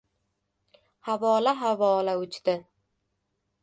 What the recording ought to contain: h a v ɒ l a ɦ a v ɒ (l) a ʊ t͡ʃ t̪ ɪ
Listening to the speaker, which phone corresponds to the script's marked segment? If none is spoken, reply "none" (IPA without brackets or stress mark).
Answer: l